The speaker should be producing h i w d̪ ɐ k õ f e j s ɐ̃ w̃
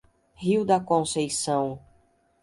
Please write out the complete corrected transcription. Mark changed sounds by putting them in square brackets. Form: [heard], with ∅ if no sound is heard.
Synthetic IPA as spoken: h i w d̪ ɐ k õ [s] e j s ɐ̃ w̃